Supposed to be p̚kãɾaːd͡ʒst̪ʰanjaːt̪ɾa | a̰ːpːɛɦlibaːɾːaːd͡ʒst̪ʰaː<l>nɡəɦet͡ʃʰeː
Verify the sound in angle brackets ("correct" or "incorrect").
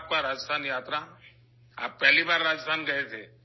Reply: incorrect